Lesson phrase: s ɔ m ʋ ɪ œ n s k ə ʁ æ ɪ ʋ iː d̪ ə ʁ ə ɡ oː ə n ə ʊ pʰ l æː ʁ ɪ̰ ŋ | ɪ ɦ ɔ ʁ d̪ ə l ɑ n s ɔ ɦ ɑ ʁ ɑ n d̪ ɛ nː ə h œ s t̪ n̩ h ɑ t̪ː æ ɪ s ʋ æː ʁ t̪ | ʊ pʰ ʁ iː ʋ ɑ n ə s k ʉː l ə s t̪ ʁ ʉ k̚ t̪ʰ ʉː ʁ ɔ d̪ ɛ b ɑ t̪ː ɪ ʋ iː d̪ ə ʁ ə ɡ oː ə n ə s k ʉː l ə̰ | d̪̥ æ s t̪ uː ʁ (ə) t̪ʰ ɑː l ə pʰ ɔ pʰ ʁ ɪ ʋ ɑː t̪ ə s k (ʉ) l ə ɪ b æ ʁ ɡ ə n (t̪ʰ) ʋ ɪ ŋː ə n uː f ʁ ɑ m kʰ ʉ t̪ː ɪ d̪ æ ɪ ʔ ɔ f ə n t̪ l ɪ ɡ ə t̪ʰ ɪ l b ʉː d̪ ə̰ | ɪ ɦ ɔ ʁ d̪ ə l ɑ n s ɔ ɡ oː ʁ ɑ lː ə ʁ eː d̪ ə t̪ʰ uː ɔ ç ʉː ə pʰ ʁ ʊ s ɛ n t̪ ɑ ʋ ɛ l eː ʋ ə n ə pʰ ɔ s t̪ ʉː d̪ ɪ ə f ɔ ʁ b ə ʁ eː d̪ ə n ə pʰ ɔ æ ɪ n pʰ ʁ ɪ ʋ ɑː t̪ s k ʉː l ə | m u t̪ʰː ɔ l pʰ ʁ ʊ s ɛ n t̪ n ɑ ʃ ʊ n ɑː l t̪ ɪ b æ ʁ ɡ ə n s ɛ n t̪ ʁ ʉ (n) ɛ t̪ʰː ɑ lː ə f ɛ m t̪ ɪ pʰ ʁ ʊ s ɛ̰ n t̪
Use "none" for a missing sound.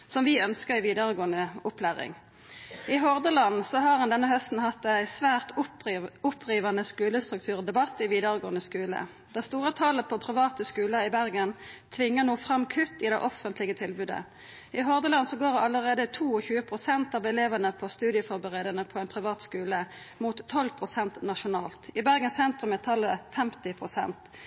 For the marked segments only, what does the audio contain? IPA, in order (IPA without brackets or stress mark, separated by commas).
ə, ʉː, t̪ʰ, m